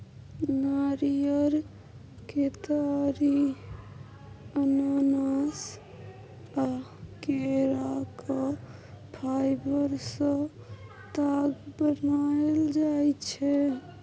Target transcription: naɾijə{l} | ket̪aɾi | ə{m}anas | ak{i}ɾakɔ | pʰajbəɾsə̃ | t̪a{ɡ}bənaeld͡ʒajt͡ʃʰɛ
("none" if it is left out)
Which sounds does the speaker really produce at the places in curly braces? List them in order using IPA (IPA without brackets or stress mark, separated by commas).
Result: ɾ, n, e, ɡ